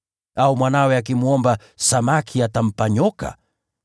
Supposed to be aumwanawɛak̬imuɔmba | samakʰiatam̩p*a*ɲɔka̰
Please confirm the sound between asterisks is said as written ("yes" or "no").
yes